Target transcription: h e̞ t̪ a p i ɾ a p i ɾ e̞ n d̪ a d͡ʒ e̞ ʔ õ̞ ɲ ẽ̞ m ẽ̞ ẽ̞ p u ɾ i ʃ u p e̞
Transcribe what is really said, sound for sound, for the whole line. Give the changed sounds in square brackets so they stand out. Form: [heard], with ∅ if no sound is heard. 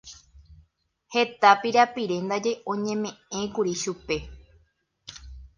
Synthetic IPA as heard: h e̞ t̪ a p i ɾ a p i ɾ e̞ n d̪ a d͡ʒ e̞ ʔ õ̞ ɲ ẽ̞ m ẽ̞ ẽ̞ [k] u ɾ i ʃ u p e̞